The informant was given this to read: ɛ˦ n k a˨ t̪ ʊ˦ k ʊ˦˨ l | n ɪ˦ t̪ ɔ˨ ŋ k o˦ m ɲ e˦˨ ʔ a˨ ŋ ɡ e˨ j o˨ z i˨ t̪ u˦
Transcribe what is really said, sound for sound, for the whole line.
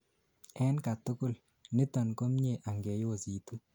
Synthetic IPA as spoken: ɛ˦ n k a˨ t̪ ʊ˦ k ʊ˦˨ l | n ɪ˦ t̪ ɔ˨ n k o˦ m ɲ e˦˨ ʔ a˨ ŋ ɡ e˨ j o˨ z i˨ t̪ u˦